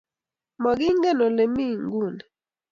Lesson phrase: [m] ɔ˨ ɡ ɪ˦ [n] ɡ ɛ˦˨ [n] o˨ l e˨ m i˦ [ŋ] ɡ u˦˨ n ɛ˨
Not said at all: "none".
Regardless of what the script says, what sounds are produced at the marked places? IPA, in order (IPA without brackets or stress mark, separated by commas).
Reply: m, ŋ, n, ŋ